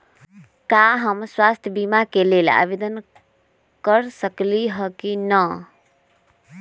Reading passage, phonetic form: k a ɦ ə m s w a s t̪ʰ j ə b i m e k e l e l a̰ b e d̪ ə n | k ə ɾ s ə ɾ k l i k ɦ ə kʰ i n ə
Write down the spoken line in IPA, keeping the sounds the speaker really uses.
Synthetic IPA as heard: k a ɦ ə m s w a s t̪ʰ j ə b i m a k e l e l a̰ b e d̪ ə n | k ə ɾ s ə k l i ɦ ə k i n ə